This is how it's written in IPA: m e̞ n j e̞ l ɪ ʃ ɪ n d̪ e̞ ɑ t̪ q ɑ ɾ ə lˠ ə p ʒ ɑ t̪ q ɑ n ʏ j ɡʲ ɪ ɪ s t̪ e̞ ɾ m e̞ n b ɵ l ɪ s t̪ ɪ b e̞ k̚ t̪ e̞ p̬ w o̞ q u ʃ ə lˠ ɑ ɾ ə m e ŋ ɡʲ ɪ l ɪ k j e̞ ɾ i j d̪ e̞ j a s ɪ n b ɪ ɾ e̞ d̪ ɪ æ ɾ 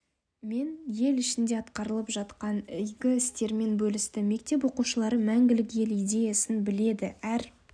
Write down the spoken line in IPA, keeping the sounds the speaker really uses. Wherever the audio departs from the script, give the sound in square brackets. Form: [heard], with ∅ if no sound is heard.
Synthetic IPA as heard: m e̞ n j e̞ l ɪ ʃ ɪ n d̪ e̞ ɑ t̪ q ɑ ɾ ə lˠ ə p ʒ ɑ t̪ q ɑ n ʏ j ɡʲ ɪ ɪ s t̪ e̞ ɾ m e̞ n b ɵ l ɪ s t̪ ɪ [m] e̞ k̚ t̪ e̞ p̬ w o̞ q u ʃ ə lˠ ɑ ɾ ə m [æ] ŋ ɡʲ ɪ l ɪ k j e̞ [l] i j d̪ e̞ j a s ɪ n b ɪ [l] e̞ d̪ ɪ æ ɾ